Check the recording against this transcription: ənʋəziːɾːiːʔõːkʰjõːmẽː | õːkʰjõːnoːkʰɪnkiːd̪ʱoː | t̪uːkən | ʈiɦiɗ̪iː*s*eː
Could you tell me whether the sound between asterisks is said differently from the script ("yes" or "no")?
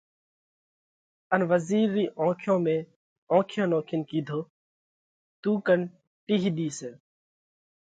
no